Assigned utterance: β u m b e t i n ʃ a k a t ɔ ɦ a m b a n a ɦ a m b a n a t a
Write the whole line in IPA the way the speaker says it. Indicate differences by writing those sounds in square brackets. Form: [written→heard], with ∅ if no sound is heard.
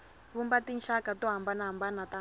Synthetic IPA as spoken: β u m b [e→a] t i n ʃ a k a t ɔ ɦ a m b a n a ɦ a m b a n a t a